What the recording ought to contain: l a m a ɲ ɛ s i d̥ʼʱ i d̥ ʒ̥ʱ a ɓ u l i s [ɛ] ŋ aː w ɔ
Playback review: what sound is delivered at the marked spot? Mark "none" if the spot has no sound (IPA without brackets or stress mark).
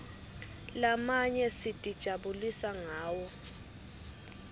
a